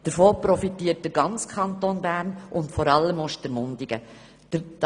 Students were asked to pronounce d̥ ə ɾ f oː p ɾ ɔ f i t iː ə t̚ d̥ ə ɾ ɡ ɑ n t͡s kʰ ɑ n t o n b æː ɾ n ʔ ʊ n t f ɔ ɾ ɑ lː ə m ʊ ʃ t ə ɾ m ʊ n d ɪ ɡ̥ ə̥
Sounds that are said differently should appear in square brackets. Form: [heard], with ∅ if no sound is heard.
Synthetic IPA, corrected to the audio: d̥ ə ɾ f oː p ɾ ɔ f i t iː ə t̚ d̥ ə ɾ ɡ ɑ n t͡s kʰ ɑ n t o n b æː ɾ n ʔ ʊ n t f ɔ ɾ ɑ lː ə m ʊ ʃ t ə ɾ m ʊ n d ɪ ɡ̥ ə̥